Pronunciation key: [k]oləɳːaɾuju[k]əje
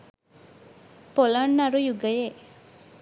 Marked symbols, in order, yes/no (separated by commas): no, no